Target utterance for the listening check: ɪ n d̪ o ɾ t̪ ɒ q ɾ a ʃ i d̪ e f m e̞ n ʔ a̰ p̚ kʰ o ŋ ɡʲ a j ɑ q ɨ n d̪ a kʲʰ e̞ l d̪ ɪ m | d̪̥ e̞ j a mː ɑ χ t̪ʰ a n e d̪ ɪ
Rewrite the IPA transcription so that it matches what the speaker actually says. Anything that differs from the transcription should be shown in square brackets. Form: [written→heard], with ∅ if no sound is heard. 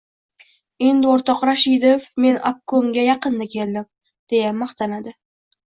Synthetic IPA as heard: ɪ n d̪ o ɾ t̪ ɒ q ɾ a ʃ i d̪ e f m e̞ n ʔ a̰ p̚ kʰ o ŋ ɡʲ a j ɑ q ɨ n d̪ a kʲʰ e̞ l d̪ ɪ m | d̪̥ e̞ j a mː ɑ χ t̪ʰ a n [e→a] d̪ ɪ